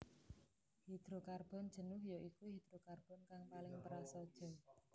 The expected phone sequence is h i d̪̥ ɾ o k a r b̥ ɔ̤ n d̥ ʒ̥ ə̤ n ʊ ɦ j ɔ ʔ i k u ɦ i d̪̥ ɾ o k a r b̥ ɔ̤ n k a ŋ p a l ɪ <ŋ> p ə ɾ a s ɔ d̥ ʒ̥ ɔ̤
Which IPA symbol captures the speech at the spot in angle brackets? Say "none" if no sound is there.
ŋ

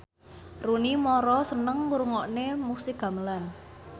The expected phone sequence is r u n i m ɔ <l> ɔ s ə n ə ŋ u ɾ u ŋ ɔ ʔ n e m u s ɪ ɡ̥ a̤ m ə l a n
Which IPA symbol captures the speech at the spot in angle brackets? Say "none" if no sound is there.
ɾ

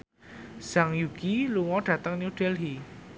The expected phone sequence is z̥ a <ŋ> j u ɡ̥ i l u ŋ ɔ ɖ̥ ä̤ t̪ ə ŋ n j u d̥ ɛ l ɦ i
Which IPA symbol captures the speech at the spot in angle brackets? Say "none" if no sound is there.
ŋ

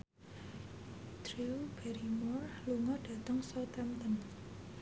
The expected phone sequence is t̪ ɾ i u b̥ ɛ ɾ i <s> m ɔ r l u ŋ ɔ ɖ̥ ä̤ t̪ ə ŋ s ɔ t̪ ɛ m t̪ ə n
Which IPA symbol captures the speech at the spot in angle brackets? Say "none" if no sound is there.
none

